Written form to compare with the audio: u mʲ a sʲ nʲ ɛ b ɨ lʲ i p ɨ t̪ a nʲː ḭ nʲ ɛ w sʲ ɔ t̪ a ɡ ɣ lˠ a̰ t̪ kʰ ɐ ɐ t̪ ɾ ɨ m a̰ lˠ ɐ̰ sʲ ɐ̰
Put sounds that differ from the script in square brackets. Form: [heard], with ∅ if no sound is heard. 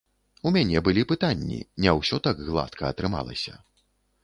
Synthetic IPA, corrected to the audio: u mʲ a [∅] nʲ ɛ b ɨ lʲ i p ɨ t̪ a nʲː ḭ nʲ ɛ w sʲ ɔ t̪ a ɡ ɣ lˠ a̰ t̪ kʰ ɐ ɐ t̪ ɾ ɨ m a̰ lˠ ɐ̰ sʲ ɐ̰